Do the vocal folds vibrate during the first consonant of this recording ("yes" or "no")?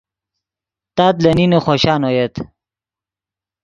no